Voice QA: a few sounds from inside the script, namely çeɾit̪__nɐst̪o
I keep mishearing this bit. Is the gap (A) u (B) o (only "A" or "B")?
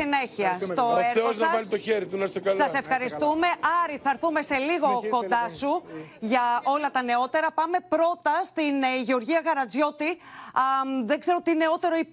A